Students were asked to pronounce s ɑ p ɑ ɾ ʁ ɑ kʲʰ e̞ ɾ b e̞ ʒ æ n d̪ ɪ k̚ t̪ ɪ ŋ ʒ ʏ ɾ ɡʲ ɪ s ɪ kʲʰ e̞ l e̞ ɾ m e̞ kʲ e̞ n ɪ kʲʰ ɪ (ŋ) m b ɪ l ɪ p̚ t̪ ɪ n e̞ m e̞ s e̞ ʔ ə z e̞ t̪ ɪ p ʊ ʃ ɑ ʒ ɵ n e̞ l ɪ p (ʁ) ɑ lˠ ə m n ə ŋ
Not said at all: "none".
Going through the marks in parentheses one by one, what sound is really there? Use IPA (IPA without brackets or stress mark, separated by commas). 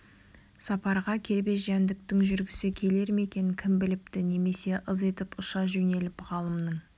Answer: none, ʁ